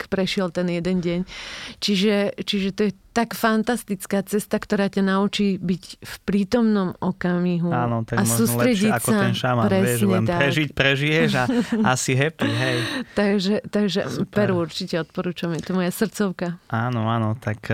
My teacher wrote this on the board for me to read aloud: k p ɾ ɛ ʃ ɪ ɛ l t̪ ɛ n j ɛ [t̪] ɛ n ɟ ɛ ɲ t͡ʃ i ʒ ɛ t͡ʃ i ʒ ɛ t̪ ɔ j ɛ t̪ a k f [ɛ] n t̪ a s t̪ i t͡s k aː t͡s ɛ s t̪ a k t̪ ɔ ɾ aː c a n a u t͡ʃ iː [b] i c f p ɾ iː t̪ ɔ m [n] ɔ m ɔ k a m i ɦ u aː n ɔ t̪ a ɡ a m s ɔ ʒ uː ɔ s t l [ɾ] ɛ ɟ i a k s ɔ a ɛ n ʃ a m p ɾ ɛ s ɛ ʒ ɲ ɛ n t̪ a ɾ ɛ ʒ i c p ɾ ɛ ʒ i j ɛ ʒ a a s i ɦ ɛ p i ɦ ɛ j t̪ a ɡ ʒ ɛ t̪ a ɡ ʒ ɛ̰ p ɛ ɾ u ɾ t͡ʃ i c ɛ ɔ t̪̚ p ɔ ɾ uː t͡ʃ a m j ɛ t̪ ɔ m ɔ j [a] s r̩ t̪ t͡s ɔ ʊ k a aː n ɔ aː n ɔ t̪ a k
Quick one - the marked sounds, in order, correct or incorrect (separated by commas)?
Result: incorrect, incorrect, correct, correct, correct, correct